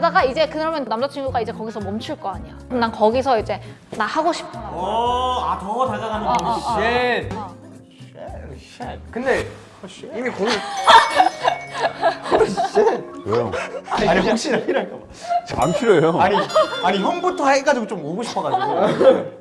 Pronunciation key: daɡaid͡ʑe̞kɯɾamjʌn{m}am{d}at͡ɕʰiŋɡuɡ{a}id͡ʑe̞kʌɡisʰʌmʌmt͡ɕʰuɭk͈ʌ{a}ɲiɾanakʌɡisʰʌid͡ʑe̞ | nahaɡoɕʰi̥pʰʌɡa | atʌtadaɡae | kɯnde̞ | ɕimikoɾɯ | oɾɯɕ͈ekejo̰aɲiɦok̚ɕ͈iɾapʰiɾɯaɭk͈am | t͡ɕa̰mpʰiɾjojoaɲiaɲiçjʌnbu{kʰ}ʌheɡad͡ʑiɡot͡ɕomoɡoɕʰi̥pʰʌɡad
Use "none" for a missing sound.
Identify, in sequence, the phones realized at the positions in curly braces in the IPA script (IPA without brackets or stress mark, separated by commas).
n, d͡ʑ, a, a, tʰ